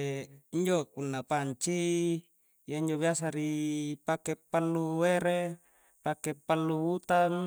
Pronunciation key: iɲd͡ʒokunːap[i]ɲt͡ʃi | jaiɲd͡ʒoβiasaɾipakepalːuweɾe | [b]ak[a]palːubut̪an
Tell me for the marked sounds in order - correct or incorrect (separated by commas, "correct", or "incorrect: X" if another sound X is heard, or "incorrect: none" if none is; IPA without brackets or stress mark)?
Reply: incorrect: a, incorrect: p, incorrect: e